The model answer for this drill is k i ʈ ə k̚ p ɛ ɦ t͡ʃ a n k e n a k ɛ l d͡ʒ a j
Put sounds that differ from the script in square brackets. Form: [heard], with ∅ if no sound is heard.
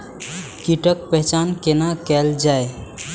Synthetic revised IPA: k i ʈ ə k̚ p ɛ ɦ t͡ʃ a n k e n a k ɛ l d͡ʒ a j

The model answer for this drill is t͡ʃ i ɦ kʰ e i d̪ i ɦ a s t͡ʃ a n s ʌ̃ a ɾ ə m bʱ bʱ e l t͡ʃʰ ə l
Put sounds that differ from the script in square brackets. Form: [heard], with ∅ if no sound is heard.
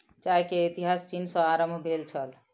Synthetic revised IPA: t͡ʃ [a] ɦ [k] e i [t̪] i ɦ a s t͡ʃ [i] n s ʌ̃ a ɾ ə m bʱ bʱ e l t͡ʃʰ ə l

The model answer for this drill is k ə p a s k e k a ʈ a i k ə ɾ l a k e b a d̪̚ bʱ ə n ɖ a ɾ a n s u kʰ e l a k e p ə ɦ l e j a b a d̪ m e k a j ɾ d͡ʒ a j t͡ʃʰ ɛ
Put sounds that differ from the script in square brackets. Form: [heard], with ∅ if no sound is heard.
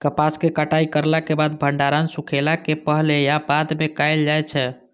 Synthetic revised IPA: k ə p a s k e k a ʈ a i k ə ɾ l a k e b a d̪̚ bʱ ə [ɳ] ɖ a ɾ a n s u kʰ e l a k e p ə ɦ l e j a b a d̪ m e k a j [l] d͡ʒ a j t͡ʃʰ ɛ

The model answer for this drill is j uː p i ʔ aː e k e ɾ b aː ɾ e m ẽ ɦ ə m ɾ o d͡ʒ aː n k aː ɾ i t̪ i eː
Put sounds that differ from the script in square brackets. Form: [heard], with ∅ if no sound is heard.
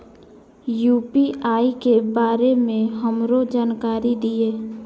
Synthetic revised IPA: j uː p i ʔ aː [i] k e [∅] b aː ɾ e m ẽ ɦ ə m ɾ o d͡ʒ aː n k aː ɾ i [d̪] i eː

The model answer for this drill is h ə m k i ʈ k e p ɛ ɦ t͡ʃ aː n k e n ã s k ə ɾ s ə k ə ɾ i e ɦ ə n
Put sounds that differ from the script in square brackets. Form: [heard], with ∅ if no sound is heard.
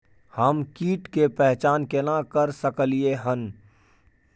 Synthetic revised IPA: h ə m k [iː] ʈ k e p ɛ ɦ t͡ʃ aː n k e n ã [∅] k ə ɾ s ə k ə [l] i e ɦ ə n

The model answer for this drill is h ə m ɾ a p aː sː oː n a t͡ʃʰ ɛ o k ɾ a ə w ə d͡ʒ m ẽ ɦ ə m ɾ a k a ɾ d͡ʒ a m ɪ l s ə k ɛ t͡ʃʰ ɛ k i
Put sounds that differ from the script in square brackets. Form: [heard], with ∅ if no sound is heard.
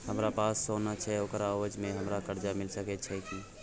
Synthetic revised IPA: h ə m ɾ a p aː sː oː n a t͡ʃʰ ɛ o k ɾ a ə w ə d͡ʒ m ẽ ɦ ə m ɾ a k [ə] ɾ d͡ʒ a m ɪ l s ə k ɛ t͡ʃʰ ɛ k i

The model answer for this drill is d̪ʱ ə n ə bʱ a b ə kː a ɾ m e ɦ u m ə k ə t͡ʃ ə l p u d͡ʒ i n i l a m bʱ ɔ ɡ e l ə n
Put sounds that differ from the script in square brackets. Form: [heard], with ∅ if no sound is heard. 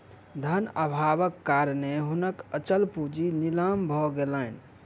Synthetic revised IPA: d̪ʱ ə n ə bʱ a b ə kː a ɾ [n] e ɦ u [n] ə k ə t͡ʃ ə l p u d͡ʒ i n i l a m bʱ ɔ ɡ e l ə n

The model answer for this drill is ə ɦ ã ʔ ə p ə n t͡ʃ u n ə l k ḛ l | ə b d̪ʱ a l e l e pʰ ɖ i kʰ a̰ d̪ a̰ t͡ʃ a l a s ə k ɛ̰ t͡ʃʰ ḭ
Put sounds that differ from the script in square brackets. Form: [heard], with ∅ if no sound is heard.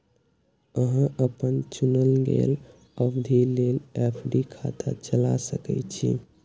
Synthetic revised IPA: ə ɦ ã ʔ ə p ə n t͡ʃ u n ə l [ɡ] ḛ l | ə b d̪ʱ [i] l e l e pʰ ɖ i kʰ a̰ [t̪] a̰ t͡ʃ [ə] l a s ə k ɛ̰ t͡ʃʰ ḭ

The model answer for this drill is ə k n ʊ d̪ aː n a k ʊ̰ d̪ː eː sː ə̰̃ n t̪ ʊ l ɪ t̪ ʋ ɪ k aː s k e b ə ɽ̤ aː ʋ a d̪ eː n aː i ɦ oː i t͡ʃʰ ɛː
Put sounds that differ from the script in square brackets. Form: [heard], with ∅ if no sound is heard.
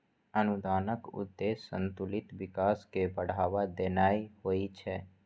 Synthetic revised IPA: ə [∅] n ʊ d̪ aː n [ə] k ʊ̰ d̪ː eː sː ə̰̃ n t̪ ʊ l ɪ t̪ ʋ ɪ k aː s k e b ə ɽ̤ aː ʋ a d̪ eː n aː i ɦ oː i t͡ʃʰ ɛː

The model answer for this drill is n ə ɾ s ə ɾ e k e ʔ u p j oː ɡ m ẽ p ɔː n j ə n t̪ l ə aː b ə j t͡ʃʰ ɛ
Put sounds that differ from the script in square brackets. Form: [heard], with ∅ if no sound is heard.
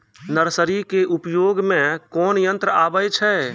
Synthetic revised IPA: n ə ɾ s ə ɾ [i] k e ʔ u p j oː ɡ m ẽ [k] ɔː n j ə n t̪ [ɾ] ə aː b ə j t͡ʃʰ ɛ

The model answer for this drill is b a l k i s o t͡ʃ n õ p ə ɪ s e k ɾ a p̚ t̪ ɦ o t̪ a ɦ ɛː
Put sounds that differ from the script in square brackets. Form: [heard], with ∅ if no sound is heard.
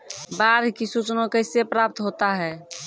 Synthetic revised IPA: b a [ɾ] k i s [u] t͡ʃ n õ [k] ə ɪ s e [p] ɾ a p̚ t̪ ɦ o t̪ a ɦ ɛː

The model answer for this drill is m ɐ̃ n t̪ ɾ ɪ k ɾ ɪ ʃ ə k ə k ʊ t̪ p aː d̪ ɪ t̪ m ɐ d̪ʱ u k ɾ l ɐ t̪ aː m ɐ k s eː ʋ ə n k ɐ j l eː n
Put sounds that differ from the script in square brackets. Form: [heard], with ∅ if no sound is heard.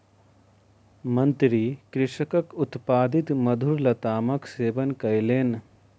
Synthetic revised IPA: m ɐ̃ n t̪ ɾ [i] k ɾ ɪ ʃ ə k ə k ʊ t̪ p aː d̪ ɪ t̪ m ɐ d̪ʱ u [∅] ɾ l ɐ t̪ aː m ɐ k s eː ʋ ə n k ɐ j l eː n

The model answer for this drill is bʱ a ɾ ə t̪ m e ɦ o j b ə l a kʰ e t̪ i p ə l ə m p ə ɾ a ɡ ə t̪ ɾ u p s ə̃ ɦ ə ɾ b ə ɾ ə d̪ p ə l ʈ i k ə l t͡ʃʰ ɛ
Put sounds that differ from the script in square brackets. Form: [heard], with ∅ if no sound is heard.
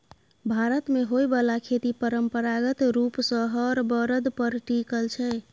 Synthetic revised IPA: bʱ a ɾ ə t̪ m e ɦ o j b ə l a kʰ e t̪ i p ə [ɾ] ə m p ə ɾ a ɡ ə t̪ ɾ u p s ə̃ ɦ ə ɾ b ə ɾ ə d̪ p ə [ɾ] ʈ i k ə l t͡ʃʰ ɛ

